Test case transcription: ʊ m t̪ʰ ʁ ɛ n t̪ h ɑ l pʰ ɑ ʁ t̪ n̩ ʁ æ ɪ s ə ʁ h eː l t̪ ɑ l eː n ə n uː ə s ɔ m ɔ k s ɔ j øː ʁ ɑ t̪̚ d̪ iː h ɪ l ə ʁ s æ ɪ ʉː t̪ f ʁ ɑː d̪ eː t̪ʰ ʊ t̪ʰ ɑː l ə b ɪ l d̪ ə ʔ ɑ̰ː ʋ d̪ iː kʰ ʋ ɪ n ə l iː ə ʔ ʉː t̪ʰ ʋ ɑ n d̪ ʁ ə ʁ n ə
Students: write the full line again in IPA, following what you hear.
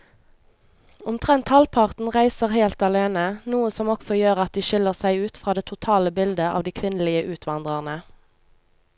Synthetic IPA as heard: ʊ m t̪ʰ ʁ ɛ n t̪ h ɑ l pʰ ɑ ʁ t̪ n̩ ʁ æ ɪ s ə ʁ h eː l t̪ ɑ l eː n ə n uː ə s ɔ m ɔ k s ɔ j øː ʁ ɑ t̪̚ d̪ iː ʃ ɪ l ə ʁ s æ ɪ ʉː t̪ f ʁ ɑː d̪ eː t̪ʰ ʊ t̪ʰ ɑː l ə b ɪ l d̪ ə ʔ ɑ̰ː ʋ d̪ iː kʰ ʋ ɪ n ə l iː ə ʔ ʉː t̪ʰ ʋ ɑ n d̪ ʁ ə ʁ n ə

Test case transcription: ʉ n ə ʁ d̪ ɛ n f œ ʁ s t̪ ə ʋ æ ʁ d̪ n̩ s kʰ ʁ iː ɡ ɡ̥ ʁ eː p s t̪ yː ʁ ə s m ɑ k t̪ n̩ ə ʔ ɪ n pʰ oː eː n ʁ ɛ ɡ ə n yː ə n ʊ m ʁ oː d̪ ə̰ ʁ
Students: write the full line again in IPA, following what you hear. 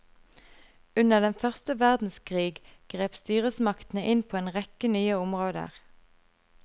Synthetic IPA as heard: ʉ n ə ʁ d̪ ɛ n f œ ʁ s t̪ ə ʋ æ ʁ d̪ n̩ s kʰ ʁ iː ɡ ɡ̥ ʁ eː p s t̪ yː ʁ ə s m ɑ k t̪ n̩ ə ʔ ɪ n pʰ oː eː n ʁ ɛ k ə n yː ə ʊ m ʁ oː d̪ ə̰ ʁ

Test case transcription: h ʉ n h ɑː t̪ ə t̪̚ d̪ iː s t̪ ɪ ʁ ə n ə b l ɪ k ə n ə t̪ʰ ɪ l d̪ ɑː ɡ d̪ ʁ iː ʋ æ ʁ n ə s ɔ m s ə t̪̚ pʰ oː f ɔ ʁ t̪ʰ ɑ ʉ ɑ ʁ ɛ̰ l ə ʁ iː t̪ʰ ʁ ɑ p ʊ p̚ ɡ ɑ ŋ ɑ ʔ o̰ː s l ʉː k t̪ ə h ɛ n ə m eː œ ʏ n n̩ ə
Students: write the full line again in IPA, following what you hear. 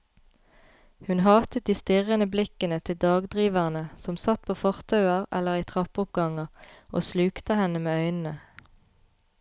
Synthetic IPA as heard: h ʉ n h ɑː t̪ ə t̪̚ d̪ iː s t̪ ɪ ʁ ə n ə b l ɪ k ə n ə t̪ʰ ɪ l d̪ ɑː ɡ d̪ ʁ iː ʋ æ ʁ n ə s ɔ m s ɑ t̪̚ pʰ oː f ɔ ʁ t̪ʰ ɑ ʉ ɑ ʁ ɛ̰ l ə ʁ iː t̪ʰ ʁ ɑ p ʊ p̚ ɡ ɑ ŋ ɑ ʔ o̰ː s l ʉː k t̪ ə h ɛ n ə m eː œ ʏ n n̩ ə

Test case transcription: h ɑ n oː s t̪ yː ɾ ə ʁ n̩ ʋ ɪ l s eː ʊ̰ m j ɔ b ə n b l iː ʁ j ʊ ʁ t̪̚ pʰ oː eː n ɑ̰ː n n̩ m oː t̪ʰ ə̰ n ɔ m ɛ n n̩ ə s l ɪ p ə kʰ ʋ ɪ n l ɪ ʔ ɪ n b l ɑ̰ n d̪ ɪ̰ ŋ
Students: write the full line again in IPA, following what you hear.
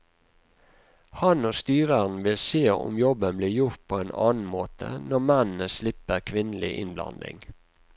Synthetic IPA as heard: h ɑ n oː s t̪ yː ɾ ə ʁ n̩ ʋ ɪ l s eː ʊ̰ m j ɔ b ə n b l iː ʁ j ʊ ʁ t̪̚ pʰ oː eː n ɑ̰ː n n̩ m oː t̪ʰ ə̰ n ɔ m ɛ n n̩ ə s l ɪ p ə kʰ ʋ ɪ n l ɪ ʔ ɪ n b l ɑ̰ n d̪ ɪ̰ ŋ

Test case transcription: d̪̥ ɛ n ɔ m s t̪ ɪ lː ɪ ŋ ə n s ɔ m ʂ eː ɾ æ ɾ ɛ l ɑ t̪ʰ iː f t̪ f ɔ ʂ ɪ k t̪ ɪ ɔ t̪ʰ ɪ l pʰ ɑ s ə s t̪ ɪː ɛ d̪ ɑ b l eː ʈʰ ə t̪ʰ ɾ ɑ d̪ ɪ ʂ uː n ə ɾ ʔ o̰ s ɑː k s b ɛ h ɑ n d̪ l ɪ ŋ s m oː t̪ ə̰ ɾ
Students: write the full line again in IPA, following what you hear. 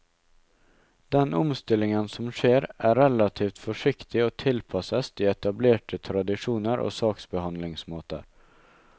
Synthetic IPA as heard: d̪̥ ɛ n ɔ m s t̪ ɪ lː ɪ ŋ ə n s ɔ m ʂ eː ɾ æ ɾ ɛ l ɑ t̪ʰ iː f t̪ f ɔ ʂ ɪ k t̪ ɪ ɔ t̪ʰ ɪ l pʰ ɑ s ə s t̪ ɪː ɛ t̪ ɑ b l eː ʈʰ ə t̪ʰ ɾ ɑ d̪ ɪ ʂ uː n ə ɾ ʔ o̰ s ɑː k s b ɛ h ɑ n d̪ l ɪ ŋ s m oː t̪ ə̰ ɾ

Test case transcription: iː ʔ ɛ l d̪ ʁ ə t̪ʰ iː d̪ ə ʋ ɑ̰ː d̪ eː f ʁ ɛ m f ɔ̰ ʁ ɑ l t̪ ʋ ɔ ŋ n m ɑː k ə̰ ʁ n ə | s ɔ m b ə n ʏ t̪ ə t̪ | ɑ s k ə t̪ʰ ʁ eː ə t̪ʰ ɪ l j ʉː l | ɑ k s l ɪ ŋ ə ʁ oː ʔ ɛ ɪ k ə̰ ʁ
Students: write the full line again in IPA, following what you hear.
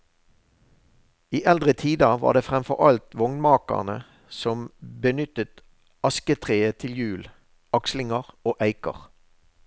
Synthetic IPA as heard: iː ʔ ɛ l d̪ ʁ ə t̪ʰ iː d̪ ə ʋ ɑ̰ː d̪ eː f ʁ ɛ m f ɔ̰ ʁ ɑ l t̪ ʋ ɔ ŋ n m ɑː k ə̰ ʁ n ə | s ɔ m b ə n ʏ t̪ ə t̪ | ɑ s k ə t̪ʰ ʁ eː ə t̪ʰ ɪ l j ʉː l | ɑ k s l ɪ ŋ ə ʁ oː ʔ æ ɪ k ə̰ ʁ

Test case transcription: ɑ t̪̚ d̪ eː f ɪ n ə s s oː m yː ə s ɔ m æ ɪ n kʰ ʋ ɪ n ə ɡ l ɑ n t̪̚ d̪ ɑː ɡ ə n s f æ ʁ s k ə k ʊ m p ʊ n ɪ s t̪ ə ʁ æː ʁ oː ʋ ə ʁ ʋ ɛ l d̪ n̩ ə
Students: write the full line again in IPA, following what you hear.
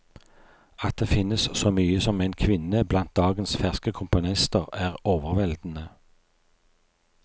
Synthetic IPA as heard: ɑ t̪̚ d̪ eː f ɪ n ə s s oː m yː ə s ɔ m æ ɪ n kʰ ʋ ɪ n ə b l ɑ n t̪̚ d̪ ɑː ɡ ə n s f æ ʁ s k ə kʰ ʊ m p ʊ n ɪ s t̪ ə ʁ æː ʁ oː ʋ ə ʁ ʋ ɛ l d̪ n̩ ə

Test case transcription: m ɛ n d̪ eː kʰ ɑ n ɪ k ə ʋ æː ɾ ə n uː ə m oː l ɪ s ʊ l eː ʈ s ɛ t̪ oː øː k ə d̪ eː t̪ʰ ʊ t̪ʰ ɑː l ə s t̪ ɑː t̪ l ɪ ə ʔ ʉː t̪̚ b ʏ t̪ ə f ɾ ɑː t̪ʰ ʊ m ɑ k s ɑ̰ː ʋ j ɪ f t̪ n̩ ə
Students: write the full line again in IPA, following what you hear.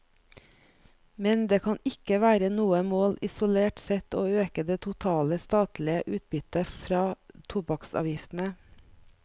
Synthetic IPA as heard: m ɛ n d̪ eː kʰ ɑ n ɪ k ə ʋ æː ɾ ə n uː ə m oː l ɪ s ʊ l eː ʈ s ɛ t̪ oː øː k ə d̪ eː t̪ʰ ʊ t̪ʰ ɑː l ə s t̪ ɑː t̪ l ɪ ə ʔ ʉː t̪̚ b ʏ t̪ ə f ɾ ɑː t̪ʰ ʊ b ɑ k s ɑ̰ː ʋ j ɪ f t̪ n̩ ə

